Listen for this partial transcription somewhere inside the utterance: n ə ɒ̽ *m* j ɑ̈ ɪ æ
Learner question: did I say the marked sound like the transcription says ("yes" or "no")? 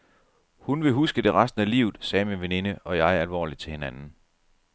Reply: no